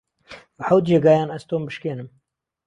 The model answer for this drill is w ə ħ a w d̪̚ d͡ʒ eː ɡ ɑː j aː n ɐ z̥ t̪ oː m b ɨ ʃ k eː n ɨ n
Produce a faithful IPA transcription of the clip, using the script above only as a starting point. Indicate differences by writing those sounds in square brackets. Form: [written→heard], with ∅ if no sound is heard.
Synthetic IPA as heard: [w→b] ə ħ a w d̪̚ d͡ʒ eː ɡ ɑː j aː n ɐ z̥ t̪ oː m b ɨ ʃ k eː n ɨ [n→m]